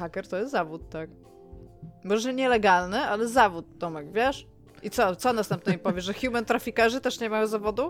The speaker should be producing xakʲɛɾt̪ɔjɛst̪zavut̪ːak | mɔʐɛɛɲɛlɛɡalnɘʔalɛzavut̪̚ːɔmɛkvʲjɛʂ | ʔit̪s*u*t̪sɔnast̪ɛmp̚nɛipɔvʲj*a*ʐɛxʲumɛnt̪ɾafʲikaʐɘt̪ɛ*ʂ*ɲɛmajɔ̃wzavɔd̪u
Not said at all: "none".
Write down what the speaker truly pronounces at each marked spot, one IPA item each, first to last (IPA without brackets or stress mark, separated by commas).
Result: ɔ, ɛ, ʂ